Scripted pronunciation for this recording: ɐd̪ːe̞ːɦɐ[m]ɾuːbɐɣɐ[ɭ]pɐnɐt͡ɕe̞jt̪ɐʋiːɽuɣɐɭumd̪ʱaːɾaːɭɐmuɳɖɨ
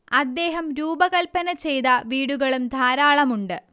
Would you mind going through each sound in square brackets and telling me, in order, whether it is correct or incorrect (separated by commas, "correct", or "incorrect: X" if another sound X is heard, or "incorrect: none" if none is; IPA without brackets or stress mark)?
correct, incorrect: l